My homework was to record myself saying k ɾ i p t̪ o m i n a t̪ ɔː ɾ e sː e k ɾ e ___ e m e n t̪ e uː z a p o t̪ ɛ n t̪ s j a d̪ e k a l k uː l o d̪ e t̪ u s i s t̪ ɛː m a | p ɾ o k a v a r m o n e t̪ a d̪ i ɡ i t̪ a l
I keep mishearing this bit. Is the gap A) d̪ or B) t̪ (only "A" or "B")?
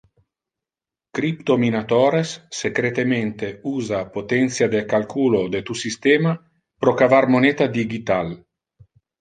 B